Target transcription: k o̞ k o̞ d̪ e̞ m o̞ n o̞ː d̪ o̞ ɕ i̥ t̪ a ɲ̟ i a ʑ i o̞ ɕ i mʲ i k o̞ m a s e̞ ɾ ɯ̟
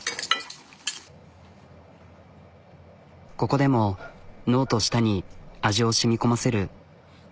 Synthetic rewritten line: k o̞ k o̞ d̪ e̞ m o̞ n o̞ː t̪ o̞ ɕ i̥ t̪ a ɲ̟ i a ʑ i o̞ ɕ i mʲ i k o̞ m a s e̞ ɾ ɯ̟

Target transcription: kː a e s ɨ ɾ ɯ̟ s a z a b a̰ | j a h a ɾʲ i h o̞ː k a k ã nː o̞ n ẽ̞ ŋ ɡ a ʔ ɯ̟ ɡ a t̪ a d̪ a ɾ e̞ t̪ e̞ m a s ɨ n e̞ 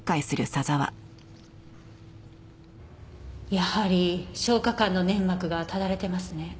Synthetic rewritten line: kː a i s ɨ ɾ ɯ̟ s a z a β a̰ | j a h a ɾʲ i ɕ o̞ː k a k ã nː o̞ n ẽ̞ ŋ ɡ a k ɯ̟ ɡ a t̪ a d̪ a ɾ e̞ t̪ e̞ m a s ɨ n e̞

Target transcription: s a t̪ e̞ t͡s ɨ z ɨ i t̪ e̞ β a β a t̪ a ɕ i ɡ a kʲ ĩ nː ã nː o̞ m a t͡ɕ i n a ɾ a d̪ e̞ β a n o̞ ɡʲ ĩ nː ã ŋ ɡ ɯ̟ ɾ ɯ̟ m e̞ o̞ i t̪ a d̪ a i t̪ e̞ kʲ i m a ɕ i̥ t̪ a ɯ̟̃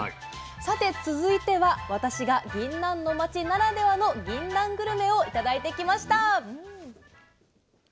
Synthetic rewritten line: s a t̪ e̞ t͡s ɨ z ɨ i t̪ e̞ β a β a t̪ a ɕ i ɡ a ɡʲ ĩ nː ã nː o̞ m a t͡ɕ i n a ɾ a d̪ e̞ β a n o̞ ɡʲ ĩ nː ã ŋ ɡ ɯ̟ ɾ ɯ̟ m e̞ o̞ i t̪ a d̪ a i t̪ e̞ kʲ i m a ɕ i̥ t̪ a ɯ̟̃

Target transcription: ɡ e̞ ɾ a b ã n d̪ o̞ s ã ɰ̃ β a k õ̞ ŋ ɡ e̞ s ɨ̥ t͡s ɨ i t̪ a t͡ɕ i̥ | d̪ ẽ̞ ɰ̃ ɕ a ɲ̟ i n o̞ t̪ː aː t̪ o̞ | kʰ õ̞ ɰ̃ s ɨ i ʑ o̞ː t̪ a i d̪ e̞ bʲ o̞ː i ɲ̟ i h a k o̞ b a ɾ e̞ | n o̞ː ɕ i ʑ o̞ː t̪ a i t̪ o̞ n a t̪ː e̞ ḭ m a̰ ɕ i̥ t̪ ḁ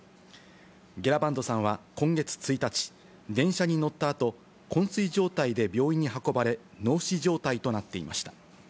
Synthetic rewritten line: ɡ e̞ ɾ a b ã n d̪ o̞ s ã ɰ̃ β a k õ̞ ŋ ɡ e̞ t͡s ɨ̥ t͡s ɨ i t̪ a t͡ɕ i̥ | d̪ ẽ̞ ɰ̃ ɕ a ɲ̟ i n o̞ t̪ː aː t̪ o̞ | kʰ õ̞ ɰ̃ s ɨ i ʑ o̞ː t̪ a i d̪ e̞ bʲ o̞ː i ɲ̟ i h a k o̞ b a ɾ e̞ | n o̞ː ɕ i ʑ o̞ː t̪ a i t̪ o̞ n a t̪ː e̞ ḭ m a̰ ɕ i̥ t̪ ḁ

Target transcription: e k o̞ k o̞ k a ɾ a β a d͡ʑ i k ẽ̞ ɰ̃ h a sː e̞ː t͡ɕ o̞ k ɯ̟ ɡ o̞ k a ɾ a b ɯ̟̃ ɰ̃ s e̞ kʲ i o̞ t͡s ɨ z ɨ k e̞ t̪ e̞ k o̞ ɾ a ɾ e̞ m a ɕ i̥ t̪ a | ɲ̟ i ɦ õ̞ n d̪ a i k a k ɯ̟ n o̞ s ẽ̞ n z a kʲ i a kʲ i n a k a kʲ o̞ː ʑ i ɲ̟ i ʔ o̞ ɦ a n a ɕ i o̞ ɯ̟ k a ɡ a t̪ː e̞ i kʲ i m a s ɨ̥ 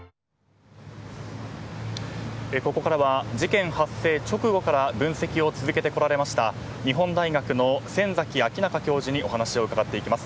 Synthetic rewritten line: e k o̞ k o̞ k a ɾ a β a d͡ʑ i k ẽ̞ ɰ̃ h a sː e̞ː t͡ɕ o̞ k ɯ̟ ɡ o̞ k a ɾ a b ɯ̟̃ ɰ̃ s e̞ kʲ i o̞ t͡s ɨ z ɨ k e̞ t̪ e̞ k o̞ ɾ a ɾ e̞ m a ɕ i̥ t̪ a | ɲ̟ i ɦ õ̞ n d̪ a i ɡ a k ɯ̟ n o̞ s ẽ̞ n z a kʲ i a kʲ i n a k a kʲ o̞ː ʑ i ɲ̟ i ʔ o̞ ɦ a n a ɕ i o̞ ɯ̟ k a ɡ a t̪ː e̞ i kʲ i m a s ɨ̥

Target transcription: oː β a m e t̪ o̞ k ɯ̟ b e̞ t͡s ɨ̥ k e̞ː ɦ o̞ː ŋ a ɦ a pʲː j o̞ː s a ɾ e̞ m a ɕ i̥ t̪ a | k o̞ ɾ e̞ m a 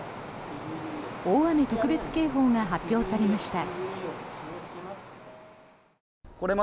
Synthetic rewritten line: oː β a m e t̪ o̞ k ɯ̟ b e̞ t͡s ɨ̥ k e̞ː ɦ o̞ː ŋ a ɦ a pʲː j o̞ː s a ɾ e̞ m a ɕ i̥ t̪ a | k o̞ ɾ e̞ m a

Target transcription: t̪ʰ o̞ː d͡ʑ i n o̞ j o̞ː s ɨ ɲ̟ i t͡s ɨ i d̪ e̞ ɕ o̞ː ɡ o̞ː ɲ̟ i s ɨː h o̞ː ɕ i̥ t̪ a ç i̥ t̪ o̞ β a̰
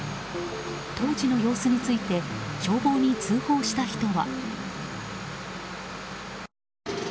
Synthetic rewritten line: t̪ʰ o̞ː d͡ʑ i n o̞ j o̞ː s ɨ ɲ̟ i t͡s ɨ i t̪ e̞ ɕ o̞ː b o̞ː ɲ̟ i t͡s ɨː h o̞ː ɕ i̥ t̪ a ç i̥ t̪ o̞ β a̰

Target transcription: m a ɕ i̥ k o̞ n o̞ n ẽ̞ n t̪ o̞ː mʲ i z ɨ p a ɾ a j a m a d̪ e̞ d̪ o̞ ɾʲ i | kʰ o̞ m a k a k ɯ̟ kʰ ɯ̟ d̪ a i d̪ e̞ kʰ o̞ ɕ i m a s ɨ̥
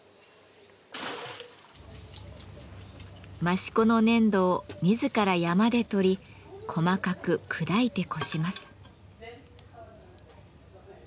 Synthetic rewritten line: m a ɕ i̥ k o̞ n o̞ n ẽ̞ n d̪ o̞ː mʲ i z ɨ k a ɾ a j a m a d̪ e̞ t̪ o̞ ɾʲ i | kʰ o̞ m a k a k ɯ̟ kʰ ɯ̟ d̪ a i t̪ e̞ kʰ o̞ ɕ i m a s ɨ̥

